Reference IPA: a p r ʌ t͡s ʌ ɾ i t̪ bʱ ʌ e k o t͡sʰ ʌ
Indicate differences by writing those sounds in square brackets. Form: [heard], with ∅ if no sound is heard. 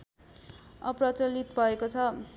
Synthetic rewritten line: [ʌ] p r ʌ t͡s ʌ [l] i t̪ bʱ ʌ e k o t͡sʰ ʌ